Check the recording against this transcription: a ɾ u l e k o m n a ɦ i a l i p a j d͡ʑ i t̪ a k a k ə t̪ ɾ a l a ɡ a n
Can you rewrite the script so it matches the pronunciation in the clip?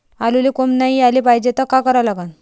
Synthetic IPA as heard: a l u l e k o m n a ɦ i a l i p a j d͡ʑ e t̪ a k a k ə ɾ a l a ɡ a n